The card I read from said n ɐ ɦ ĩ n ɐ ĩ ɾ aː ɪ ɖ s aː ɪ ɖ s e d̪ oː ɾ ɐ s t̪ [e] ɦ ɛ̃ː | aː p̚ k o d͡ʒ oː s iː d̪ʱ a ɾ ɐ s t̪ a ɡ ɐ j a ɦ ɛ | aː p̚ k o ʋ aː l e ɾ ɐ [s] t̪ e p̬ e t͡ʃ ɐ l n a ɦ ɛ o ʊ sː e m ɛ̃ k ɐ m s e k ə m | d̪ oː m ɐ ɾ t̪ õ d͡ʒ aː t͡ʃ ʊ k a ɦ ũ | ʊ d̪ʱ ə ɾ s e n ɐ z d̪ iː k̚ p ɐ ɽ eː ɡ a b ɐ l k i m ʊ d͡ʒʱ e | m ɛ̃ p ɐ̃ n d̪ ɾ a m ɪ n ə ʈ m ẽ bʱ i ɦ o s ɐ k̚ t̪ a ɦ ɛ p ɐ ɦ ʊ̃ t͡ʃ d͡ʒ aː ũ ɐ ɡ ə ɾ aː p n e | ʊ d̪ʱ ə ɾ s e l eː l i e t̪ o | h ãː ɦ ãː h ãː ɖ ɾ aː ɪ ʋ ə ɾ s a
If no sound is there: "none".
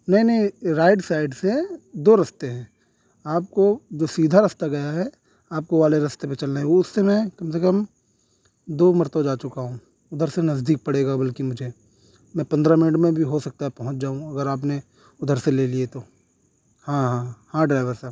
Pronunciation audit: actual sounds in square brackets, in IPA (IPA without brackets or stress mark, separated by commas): e, s